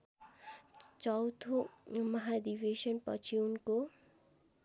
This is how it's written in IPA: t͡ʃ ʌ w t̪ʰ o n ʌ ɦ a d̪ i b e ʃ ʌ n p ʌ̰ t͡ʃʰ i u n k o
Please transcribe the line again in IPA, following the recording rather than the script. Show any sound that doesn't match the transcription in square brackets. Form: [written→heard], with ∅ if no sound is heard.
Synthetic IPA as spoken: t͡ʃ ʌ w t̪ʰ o [n→m] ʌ ɦ a d̪ i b e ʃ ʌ n p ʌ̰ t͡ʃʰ i u n k o